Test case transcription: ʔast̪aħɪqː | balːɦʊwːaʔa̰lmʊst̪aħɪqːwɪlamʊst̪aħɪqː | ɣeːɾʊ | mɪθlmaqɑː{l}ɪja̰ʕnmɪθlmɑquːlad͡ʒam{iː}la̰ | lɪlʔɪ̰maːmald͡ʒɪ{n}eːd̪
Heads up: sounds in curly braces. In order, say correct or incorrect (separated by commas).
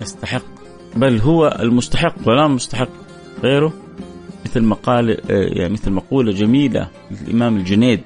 correct, correct, correct